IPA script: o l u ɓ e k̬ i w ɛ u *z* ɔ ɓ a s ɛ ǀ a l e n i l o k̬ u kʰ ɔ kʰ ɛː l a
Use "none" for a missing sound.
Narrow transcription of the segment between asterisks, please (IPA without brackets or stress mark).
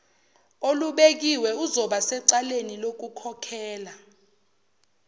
z